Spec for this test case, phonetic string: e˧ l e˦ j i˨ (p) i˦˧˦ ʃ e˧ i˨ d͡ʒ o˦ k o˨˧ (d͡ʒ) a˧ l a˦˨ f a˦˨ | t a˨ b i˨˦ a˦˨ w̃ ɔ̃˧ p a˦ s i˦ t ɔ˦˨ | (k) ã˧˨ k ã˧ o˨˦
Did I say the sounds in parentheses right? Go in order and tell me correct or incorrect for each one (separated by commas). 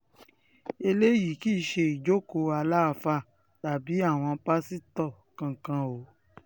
incorrect, incorrect, correct